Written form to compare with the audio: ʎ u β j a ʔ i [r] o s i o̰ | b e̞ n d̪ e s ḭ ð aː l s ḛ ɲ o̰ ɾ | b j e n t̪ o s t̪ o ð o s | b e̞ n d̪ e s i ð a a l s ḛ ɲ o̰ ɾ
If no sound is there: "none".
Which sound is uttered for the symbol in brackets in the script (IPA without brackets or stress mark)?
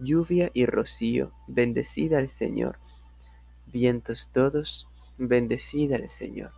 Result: r